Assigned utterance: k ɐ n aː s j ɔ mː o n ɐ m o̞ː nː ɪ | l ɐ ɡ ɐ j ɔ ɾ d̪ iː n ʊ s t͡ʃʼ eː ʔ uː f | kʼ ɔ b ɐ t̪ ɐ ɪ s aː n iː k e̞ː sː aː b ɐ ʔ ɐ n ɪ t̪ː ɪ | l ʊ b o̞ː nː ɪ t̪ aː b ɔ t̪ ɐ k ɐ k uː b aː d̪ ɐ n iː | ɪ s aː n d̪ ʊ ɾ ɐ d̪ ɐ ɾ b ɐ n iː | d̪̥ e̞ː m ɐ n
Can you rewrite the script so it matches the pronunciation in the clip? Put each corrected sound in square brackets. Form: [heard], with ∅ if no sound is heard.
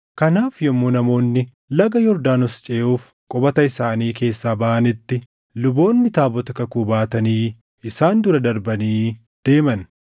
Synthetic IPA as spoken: k ɐ n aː [f] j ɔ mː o n ɐ m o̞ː nː ɪ | l ɐ ɡ ɐ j ɔ ɾ d̪ [aː] n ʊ s t͡ʃʼ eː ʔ uː f | kʼ ɔ b ɐ t̪ ɐ ɪ s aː n iː k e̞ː sː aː b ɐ ʔ ɐ n ɪ t̪ː ɪ | l ʊ b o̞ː nː ɪ t̪ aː b ɔ t̪ ɐ k ɐ k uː b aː [t̪] ɐ n iː | ɪ s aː n d̪ ʊ ɾ ɐ d̪ ɐ ɾ b ɐ n iː | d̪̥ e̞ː m ɐ n